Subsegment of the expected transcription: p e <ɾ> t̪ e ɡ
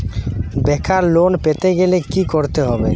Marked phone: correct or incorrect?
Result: incorrect